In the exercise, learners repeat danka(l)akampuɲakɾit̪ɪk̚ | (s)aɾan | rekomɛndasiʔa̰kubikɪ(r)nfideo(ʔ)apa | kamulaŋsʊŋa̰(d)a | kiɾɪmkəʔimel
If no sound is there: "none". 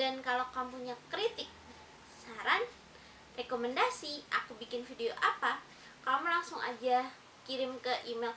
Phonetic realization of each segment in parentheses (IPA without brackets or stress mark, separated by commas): l, s, none, ʔ, d͡ʒ